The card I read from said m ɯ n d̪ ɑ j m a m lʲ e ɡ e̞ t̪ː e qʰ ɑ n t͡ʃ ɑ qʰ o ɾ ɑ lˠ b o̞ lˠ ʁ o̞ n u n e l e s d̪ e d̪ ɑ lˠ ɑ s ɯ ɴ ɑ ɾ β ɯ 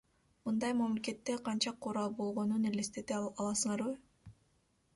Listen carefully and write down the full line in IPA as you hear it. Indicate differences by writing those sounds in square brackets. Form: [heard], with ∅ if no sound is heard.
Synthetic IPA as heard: m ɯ n d̪ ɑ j m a m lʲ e [k] e̞ t̪ː e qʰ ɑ n t͡ʃ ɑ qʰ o ɾ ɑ lˠ b o̞ lˠ ʁ o̞ n u n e l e s [t̪] e [t̪] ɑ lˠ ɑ s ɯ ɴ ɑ ɾ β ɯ